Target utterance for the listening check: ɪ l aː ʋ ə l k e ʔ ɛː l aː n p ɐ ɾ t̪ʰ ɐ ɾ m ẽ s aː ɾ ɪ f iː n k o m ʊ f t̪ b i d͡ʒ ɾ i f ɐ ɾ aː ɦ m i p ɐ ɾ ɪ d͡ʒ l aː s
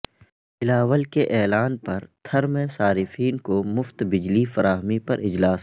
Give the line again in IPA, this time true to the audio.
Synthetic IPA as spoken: ɪ l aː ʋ ə l k e ʔ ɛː l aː n p ɐ ɾ t̪ʰ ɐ ɾ m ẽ s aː ɾ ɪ f iː n k o m ʊ f t̪ b ɪ d͡ʒ l i f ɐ ɾ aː ɦ m i p ɐ ɾ ɪ d͡ʒ l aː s